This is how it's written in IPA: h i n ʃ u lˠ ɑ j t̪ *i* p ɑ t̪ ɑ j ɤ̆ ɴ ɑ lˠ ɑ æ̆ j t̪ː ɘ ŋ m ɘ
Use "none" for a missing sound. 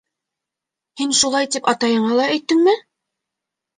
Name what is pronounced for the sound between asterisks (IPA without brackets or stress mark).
i